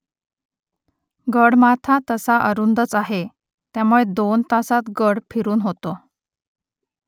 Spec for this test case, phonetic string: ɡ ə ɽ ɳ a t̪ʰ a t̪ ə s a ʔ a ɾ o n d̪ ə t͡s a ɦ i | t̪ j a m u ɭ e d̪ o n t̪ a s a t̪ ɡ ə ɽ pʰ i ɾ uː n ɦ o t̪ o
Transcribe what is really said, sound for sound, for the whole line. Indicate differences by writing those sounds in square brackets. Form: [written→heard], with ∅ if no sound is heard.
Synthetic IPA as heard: ɡ ə ɽ [ɳ→m] a t̪ʰ a t̪ ə s a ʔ [a→ə] ɾ [o→u] n d̪ ə t͡s a ɦ [i→e] | t̪ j a m u ɭ e d̪ o n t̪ a s a t̪ ɡ ə ɽ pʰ i ɾ uː n ɦ o t̪ o

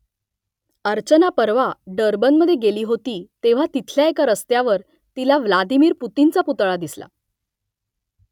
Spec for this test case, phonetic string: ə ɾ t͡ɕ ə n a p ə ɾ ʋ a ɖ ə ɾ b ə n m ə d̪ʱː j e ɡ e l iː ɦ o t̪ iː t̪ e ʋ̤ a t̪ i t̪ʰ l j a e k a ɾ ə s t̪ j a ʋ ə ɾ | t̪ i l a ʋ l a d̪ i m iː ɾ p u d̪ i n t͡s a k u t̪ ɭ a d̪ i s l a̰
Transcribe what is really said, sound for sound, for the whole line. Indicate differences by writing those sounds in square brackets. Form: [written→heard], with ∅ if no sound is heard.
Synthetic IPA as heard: ə ɾ t͡ɕ ə n a p ə ɾ ʋ a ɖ ə ɾ b ə n m ə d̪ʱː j e ɡ e l iː ɦ o t̪ iː t̪ e ʋ̤ a t̪ i t̪ʰ l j a e k a ɾ ə s t̪ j a ʋ ə ɾ | t̪ i l a ʋ l a d̪ i m iː ɾ p u [d̪→t̪] i n t͡s a [k→p] u t̪ ɭ a d̪ i s l a̰

